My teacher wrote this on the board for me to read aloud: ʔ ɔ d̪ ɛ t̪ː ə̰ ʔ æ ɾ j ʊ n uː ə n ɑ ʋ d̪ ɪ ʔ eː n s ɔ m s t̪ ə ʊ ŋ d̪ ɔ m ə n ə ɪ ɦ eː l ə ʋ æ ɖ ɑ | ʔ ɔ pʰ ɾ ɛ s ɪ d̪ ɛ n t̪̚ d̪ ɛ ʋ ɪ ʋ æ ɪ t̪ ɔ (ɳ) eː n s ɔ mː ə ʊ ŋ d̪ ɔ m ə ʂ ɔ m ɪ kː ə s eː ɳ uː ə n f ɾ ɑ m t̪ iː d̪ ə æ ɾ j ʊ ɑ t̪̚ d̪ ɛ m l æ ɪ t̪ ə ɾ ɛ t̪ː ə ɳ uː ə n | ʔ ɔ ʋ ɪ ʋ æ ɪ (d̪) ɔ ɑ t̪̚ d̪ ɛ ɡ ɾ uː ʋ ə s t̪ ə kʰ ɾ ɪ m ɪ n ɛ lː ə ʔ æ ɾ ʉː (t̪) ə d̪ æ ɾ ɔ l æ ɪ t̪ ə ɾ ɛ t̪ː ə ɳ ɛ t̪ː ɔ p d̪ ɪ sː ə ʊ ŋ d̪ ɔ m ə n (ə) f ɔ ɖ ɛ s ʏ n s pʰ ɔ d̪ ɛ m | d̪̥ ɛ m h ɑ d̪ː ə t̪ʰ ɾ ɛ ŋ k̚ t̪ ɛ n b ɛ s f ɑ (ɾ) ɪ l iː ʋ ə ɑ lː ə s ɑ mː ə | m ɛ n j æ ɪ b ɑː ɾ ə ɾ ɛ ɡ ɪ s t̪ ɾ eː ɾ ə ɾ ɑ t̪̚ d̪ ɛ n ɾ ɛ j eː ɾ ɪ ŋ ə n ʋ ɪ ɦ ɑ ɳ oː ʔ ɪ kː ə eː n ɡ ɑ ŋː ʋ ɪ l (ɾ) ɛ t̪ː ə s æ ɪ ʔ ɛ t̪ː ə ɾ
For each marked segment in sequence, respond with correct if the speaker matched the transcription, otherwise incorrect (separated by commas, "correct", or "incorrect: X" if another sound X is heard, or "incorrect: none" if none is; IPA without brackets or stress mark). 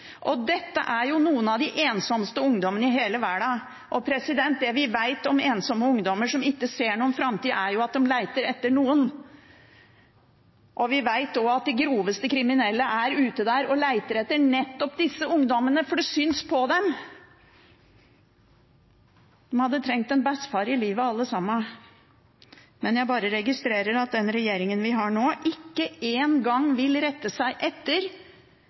incorrect: m, incorrect: t̪, correct, correct, correct, correct